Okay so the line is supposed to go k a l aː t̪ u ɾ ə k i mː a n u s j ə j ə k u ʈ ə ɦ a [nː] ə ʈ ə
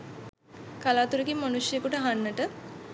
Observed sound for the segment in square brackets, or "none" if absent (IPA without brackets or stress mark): nː